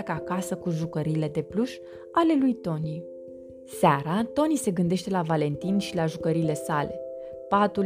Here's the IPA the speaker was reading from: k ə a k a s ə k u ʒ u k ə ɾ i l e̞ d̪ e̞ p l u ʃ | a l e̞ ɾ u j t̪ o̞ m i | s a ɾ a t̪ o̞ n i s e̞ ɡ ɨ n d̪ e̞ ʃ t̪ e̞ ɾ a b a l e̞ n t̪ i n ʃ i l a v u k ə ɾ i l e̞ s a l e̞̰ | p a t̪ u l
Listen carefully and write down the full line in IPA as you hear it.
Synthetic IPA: k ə a k a s ə k u ʒ u k ə ɾ i l e̞ d̪ e̞ p l u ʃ | a l e̞ l u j t̪ o̞ n i | s a ɾ a t̪ o̞ n i s e̞ ɡ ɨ n d̪ e̞ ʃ t̪ e̞ l a v a l e̞ n t̪ i n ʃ i l a ʒ u k ə ɾ i l e̞ s a l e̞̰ | p a t̪ u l